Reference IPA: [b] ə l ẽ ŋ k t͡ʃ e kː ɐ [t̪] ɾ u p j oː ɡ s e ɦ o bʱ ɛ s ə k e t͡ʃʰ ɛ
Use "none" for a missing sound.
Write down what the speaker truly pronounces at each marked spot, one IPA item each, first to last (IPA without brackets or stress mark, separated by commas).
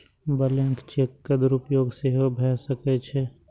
b, d̪